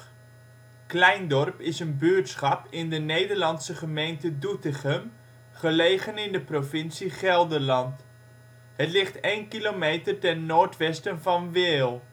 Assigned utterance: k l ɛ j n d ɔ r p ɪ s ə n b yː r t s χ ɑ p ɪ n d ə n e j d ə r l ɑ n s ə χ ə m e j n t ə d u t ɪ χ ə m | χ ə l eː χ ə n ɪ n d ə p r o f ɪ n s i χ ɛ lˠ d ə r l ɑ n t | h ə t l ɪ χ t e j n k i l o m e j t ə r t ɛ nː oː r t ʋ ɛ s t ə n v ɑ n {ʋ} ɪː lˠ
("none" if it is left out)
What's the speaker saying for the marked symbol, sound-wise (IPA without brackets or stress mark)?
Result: ʋ